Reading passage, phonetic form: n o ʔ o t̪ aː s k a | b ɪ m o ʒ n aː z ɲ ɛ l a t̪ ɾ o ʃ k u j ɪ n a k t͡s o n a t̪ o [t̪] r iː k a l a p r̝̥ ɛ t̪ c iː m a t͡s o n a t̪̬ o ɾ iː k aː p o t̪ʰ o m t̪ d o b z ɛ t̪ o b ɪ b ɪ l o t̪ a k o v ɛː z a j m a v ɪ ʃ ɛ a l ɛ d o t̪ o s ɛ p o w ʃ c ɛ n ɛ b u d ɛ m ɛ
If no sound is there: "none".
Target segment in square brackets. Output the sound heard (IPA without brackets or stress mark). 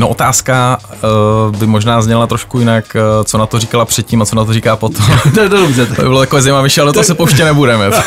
none